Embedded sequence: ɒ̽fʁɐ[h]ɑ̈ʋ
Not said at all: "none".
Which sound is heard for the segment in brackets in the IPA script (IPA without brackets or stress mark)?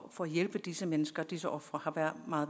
h